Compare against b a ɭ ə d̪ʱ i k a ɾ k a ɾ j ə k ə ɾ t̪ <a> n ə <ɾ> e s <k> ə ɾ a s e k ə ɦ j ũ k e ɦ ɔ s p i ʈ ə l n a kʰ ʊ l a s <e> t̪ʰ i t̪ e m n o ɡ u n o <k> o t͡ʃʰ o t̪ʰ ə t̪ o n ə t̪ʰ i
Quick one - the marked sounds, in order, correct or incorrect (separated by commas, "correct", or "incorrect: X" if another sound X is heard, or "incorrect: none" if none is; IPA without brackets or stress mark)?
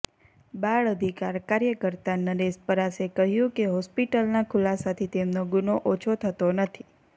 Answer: correct, correct, incorrect: p, incorrect: a, incorrect: ʔ